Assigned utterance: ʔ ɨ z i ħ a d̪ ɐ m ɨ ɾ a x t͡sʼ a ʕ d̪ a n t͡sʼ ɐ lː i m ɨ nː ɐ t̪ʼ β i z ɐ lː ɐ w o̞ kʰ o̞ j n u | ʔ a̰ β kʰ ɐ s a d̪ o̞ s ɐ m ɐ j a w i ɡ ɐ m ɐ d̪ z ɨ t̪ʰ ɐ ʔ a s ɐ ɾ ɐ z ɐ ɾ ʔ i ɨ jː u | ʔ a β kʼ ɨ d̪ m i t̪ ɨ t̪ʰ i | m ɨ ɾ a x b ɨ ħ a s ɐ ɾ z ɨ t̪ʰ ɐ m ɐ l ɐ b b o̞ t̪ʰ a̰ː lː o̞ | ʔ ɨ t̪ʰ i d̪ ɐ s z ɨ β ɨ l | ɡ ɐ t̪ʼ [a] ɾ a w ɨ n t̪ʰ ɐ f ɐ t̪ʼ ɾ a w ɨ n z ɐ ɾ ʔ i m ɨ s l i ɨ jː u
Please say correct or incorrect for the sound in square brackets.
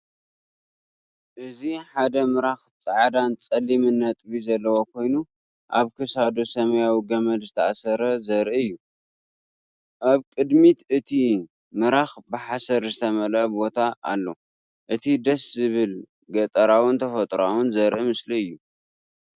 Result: incorrect